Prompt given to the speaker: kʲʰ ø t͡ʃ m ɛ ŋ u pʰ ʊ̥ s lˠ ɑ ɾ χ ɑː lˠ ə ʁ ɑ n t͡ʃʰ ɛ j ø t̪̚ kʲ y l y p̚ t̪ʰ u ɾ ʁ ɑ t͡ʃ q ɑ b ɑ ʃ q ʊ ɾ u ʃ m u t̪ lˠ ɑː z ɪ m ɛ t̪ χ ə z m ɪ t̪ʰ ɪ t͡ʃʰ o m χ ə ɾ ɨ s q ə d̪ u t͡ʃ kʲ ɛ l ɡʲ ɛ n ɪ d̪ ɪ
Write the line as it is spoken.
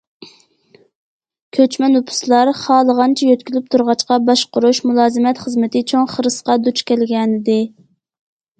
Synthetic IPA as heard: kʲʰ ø t͡ʃ m ɛ n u pʰ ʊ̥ s lˠ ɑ ɾ χ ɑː lˠ ə ʁ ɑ n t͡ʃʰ ɛ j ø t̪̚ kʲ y l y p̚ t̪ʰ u ɾ ʁ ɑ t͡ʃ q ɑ b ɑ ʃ q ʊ ɾ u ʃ m u lˠ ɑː z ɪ m ɛ t̪ χ ə z m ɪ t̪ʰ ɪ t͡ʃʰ o ŋ χ ə ɾ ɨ s q ɑ d̪ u t͡ʃ kʲ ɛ l ɡʲ ɛ n ɪ d̪ ɪ